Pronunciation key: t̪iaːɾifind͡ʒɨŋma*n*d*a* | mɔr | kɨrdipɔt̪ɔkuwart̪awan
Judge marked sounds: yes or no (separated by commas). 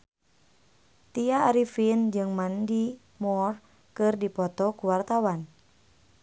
yes, no